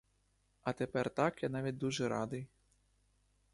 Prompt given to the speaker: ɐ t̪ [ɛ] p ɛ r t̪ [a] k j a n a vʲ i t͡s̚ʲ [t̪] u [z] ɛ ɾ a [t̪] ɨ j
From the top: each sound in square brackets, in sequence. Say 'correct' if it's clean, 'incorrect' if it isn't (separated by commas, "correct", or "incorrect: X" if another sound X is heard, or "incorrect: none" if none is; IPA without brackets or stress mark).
correct, correct, incorrect: d̪, incorrect: ʐ, incorrect: d̪